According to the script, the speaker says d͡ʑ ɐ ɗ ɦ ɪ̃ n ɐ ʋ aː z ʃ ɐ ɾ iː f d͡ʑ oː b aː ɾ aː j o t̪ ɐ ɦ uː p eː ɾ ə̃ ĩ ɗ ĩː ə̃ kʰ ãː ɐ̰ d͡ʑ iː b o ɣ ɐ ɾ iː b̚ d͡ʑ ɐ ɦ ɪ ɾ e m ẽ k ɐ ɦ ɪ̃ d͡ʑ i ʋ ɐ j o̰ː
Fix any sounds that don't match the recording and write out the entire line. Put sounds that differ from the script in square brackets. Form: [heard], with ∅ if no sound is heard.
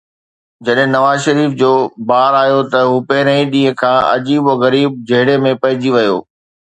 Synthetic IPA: d͡ʑ ɐ ɗ ɦ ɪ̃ n ɐ ʋ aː z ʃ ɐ ɾ iː f d͡ʑ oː b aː ɾ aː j o t̪ ɐ ɦ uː p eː ɾ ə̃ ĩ ɗ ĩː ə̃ kʰ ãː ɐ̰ d͡ʑ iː b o ɣ ɐ ɾ iː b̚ d͡ʑ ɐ ɦ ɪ [ɽ] e m ẽ [p] ɐ ɦ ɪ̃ d͡ʑ i ʋ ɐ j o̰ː

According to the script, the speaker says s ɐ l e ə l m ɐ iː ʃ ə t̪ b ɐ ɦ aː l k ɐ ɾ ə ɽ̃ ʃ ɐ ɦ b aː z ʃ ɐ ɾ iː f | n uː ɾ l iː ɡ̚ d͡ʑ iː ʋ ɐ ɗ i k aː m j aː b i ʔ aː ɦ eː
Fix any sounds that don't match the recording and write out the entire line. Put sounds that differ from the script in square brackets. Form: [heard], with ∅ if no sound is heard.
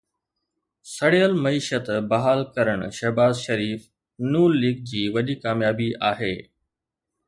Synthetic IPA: s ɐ [ɽ] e ə l m ɐ iː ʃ ə t̪ b ɐ ɦ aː l k ɐ ɾ ə ɽ̃ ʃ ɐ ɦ b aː z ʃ ɐ ɾ iː f | n uː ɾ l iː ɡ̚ d͡ʑ iː ʋ ɐ ɗ i k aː m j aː b i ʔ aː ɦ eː

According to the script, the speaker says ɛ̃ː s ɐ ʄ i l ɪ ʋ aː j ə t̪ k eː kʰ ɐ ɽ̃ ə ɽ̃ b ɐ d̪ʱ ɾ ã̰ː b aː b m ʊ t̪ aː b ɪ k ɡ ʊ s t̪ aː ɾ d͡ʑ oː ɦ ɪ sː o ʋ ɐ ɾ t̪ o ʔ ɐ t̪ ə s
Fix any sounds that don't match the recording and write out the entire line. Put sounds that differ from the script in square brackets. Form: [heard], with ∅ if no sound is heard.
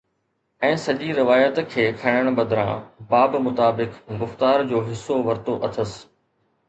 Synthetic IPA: ɛ̃ː s ɐ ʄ i [ɾ] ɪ ʋ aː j ə t̪ [kʰ] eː kʰ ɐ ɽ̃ ə ɽ̃ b ɐ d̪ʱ ɾ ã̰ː b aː b m ʊ t̪ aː b ɪ k ɡ ʊ [f] t̪ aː ɾ d͡ʑ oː ɦ ɪ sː o ʋ ɐ ɾ t̪ o ʔ ɐ [t̪ʰ] ə s

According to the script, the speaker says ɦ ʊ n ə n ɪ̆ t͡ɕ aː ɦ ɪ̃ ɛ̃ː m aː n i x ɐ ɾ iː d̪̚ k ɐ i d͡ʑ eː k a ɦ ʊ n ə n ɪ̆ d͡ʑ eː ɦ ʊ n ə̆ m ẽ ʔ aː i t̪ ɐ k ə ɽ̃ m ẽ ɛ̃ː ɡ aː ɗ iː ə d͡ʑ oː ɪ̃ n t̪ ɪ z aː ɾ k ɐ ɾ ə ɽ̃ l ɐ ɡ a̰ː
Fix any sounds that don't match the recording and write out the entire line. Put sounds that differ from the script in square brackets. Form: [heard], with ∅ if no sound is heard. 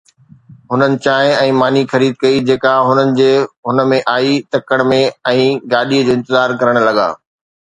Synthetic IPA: ɦ ʊ n ə n ɪ̆ t͡ɕ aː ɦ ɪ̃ ɛ̃ː m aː n i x ɐ ɾ iː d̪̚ k ɐ i d͡ʑ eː k a ɦ ʊ n ə n ɪ̆ d͡ʑ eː ɦ ʊ n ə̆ m ẽ ʔ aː i t̪ ɐ k ə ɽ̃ m ẽ ɛ̃ː ɡ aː ɗ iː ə d͡ʑ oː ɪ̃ n t̪ ɪ z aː ɾ k ɐ ɾ ə ɽ̃ l ɐ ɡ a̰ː

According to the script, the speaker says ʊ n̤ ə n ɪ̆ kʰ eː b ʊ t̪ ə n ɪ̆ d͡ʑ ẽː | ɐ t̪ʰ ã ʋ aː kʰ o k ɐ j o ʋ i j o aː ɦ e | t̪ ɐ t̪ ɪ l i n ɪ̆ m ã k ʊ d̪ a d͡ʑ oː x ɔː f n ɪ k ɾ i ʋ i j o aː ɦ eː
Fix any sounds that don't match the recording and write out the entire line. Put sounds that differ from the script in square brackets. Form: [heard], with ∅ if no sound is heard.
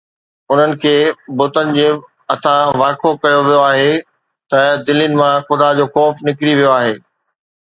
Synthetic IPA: ʊ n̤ ə n ɪ̆ kʰ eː b ʊ t̪ ə n ɪ̆ d͡ʑ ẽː | ɐ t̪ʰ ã ʋ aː kʰ o k ɐ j o ʋ i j o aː ɦ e | t̪ ɐ [d̪] ɪ l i n ɪ̆ m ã [x] ʊ d̪ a d͡ʑ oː x ɔː f n ɪ k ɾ i ʋ i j o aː ɦ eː

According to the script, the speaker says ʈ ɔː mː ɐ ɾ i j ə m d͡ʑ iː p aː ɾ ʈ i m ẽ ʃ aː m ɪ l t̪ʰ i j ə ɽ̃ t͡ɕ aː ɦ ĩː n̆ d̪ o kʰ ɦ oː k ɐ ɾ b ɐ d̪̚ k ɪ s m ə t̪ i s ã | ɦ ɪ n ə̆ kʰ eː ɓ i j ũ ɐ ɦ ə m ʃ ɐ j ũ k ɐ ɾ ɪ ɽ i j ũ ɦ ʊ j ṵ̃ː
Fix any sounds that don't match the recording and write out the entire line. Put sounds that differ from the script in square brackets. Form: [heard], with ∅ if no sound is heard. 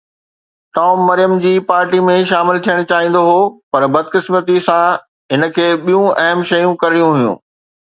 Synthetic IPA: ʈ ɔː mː ɐ ɾ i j ə m d͡ʑ iː p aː ɾ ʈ i m ẽ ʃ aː m ɪ l t̪ʰ i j ə ɽ̃ t͡ɕ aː ɦ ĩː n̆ d̪ o [∅] ɦ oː [p] ɐ ɾ b ɐ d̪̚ k ɪ s m ə t̪ i s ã | ɦ ɪ n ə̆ kʰ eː ɓ i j ũ ɐ ɦ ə m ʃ ɐ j ũ k ɐ ɾ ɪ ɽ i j ũ ɦ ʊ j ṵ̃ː

